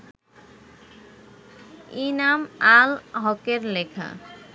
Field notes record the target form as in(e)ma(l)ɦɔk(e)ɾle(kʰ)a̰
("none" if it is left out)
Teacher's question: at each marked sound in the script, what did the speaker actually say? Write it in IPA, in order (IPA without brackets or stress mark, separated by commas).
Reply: a, l, e, kʰ